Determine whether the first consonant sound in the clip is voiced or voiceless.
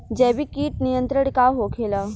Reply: voiced